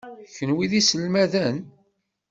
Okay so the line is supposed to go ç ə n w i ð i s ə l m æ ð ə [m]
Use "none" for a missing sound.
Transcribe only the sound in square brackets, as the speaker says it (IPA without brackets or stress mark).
n